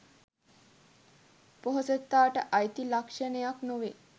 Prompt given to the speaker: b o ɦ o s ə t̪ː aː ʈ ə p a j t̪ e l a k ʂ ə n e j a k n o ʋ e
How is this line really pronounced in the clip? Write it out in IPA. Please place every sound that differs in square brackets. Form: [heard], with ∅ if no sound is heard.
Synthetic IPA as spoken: [p] o ɦ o s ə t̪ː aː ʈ ə [ʔ] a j t̪ [i] l a k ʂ ə n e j a k n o ʋ e